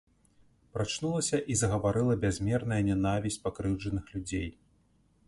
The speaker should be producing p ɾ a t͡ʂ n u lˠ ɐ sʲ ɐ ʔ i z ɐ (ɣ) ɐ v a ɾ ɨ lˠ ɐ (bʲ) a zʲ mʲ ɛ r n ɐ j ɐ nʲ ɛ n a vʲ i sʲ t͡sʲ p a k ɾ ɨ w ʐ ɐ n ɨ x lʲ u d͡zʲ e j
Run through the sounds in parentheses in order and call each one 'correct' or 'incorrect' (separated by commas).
correct, correct